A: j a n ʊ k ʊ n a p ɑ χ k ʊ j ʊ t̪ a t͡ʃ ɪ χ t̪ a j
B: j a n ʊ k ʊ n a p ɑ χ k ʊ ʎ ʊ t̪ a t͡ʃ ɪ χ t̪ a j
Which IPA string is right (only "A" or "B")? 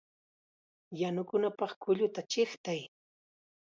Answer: B